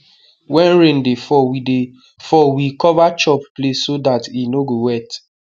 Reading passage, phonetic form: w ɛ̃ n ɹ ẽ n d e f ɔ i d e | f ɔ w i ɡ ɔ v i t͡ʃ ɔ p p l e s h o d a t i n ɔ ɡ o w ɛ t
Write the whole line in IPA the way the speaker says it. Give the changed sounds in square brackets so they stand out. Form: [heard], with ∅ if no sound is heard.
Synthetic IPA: w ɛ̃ n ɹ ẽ n d e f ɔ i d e | f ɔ w i [k] ɔ v [a] t͡ʃ ɔ p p l e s [s] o d a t i n [o] ɡ o w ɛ t